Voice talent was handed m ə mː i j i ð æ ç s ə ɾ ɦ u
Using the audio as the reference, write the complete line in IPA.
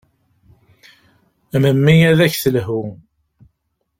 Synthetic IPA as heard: m ə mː i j æ ð æ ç θ ə l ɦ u